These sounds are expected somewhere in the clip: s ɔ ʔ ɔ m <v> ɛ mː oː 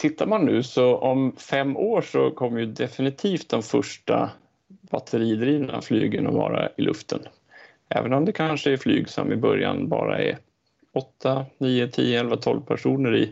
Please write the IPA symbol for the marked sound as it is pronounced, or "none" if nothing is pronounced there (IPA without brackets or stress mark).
f